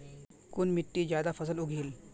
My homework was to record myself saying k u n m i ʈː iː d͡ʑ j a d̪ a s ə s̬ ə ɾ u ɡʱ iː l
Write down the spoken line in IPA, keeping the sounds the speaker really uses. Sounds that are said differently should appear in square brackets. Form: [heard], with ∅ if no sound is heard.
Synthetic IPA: k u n m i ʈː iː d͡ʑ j a d̪ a [f] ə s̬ ə [l] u ɡʱ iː l